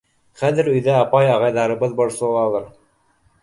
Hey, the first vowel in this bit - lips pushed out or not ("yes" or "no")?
no